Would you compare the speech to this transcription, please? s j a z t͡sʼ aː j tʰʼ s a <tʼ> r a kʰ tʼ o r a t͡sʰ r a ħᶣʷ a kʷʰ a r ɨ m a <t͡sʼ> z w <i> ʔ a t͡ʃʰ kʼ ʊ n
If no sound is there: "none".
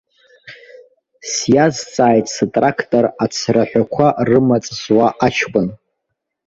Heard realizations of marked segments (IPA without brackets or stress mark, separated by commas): tʼ, t͡sʼ, a